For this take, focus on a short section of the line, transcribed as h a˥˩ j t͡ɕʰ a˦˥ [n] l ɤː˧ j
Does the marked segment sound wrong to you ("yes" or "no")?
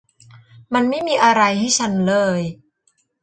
no